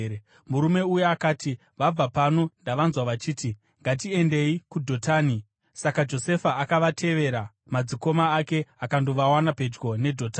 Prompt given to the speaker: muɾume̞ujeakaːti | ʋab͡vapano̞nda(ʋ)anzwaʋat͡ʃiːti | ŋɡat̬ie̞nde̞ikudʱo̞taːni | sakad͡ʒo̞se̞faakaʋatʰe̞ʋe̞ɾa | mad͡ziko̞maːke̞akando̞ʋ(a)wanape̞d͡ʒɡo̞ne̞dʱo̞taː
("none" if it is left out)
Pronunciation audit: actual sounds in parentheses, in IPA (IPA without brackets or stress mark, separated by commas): ʋ, a